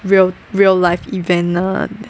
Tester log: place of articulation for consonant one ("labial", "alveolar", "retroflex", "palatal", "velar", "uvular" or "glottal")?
alveolar